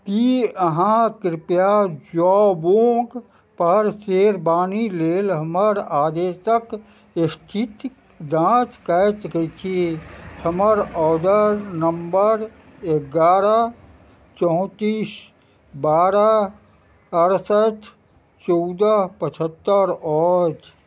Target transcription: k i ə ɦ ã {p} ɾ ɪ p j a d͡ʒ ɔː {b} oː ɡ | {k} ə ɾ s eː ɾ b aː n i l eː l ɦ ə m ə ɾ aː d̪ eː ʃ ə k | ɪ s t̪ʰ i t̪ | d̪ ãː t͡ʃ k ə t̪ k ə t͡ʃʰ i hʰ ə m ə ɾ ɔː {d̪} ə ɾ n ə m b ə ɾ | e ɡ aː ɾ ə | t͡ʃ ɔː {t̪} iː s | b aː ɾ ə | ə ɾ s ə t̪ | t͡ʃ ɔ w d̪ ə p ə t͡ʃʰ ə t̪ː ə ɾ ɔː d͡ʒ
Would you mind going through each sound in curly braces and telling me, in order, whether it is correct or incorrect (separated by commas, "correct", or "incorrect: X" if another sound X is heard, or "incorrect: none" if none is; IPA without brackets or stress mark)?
incorrect: k, correct, incorrect: p, correct, correct